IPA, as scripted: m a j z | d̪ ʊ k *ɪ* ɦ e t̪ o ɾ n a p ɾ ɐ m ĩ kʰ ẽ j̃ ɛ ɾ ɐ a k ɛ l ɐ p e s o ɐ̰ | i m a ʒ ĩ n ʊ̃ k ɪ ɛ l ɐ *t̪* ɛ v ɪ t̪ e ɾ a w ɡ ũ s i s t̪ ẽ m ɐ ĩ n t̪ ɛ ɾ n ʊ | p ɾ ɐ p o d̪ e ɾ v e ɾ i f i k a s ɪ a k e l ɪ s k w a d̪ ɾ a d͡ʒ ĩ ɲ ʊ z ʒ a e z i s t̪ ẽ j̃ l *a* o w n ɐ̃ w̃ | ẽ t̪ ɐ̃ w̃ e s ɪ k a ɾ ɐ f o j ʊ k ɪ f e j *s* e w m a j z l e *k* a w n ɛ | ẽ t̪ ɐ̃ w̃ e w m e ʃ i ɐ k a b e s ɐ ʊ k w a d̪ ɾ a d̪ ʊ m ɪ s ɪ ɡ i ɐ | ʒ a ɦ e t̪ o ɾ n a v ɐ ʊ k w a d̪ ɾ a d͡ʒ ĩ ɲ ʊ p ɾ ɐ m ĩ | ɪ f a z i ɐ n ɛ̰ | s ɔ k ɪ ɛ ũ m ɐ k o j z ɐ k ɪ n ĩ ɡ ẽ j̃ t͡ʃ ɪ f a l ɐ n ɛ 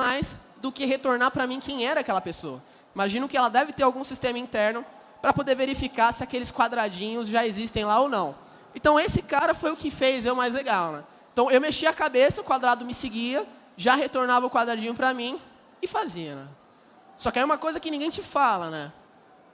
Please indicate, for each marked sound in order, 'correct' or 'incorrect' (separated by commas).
correct, incorrect, correct, incorrect, incorrect